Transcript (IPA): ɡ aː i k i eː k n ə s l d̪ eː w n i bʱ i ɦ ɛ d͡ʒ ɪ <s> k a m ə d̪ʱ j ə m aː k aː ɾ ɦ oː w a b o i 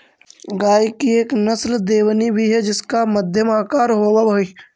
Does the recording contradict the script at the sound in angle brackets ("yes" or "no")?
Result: no